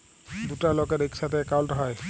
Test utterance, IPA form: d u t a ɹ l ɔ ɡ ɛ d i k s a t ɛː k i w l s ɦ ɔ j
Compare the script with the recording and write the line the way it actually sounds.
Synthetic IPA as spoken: d u t a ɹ l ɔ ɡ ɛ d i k s a t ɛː k a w l t ɦ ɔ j